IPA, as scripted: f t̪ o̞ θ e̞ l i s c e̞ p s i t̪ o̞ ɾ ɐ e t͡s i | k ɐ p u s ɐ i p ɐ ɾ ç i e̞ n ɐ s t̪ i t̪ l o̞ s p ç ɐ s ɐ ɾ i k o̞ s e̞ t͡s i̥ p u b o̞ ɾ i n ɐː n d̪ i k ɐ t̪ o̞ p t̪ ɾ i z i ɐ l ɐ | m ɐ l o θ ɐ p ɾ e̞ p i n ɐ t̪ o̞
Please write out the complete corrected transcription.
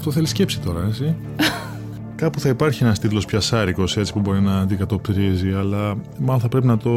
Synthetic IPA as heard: f t̪ o̞ θ e̞ l i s c e̞ p s i t̪ o̞ ɾ ɐ e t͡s i | k ɐ p u θ ɐ i p ɐ ɾ ç i e̞ n ɐ s t̪ i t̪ l o̞ s p ç ɐ s ɐ ɾ i k o̞ s e̞ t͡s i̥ p u b o̞ ɾ i n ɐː n d̪ i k ɐ t̪ o̞ p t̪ ɾ i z i ɐ l ɐ | m ɐ l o θ ɐ p ɾ e̞ p i n ɐ t̪ o̞